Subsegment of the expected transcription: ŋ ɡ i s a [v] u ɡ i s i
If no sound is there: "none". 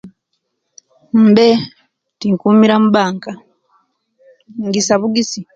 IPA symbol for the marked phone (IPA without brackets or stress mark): β